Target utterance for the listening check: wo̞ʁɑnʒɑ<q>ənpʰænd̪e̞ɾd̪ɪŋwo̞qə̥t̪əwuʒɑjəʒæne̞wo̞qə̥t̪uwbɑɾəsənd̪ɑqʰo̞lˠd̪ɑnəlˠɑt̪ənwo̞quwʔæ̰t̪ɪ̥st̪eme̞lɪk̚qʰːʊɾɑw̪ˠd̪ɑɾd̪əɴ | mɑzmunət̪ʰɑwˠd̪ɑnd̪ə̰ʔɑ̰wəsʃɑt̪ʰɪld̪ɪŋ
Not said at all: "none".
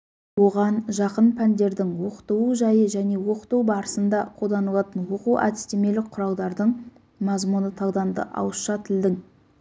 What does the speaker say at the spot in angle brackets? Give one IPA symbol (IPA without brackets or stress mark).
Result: q